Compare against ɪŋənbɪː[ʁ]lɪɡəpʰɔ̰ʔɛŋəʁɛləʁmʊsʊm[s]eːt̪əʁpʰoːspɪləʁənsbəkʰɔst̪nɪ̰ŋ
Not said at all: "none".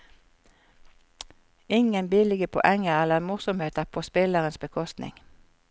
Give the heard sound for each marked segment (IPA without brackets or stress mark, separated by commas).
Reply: none, h